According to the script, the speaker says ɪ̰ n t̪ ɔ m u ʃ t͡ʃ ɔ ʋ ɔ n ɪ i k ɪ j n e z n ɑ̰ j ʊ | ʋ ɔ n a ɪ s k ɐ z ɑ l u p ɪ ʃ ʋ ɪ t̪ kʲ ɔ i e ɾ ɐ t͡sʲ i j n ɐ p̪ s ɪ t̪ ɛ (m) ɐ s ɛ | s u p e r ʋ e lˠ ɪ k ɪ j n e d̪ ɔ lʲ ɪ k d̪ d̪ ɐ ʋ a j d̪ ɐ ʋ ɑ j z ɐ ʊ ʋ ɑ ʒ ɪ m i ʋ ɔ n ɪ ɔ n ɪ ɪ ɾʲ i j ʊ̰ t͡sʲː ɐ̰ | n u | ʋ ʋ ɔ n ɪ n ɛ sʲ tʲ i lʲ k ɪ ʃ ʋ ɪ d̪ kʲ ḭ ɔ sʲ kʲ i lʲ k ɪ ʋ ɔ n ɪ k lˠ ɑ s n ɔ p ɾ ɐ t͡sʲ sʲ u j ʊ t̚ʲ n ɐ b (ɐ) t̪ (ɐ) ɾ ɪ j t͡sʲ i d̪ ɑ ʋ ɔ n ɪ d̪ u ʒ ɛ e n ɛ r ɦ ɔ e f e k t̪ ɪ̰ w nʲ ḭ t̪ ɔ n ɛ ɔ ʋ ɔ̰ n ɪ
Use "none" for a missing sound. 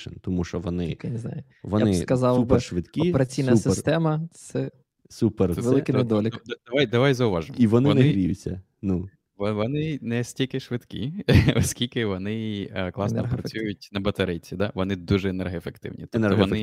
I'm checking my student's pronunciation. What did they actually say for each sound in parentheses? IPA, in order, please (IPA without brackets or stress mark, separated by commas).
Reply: m, ɐ, ɐ